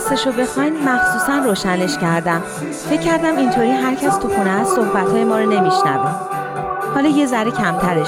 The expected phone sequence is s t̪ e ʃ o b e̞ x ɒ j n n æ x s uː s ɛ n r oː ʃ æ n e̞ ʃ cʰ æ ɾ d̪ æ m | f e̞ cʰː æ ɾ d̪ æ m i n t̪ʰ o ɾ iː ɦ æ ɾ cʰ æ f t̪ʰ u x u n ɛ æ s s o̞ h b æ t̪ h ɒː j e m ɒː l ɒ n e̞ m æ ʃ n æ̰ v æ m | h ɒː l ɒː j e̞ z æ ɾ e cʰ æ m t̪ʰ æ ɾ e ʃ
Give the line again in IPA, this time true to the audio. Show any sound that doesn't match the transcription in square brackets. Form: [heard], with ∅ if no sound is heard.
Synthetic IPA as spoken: s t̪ e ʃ o b e̞ x ɒ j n [m] æ x s uː s [æ] n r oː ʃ æ n e̞ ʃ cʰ æ ɾ d̪ æ m | f e̞ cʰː æ ɾ d̪ æ m i n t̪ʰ o ɾ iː ɦ æ ɾ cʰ æ [s] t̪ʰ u x u n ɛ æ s s o̞ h b æ t̪ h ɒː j e m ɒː [ɾ] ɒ n e̞ m [i] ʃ n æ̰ v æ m | h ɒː l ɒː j e̞ z æ ɾ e cʰ æ m t̪ʰ æ ɾ e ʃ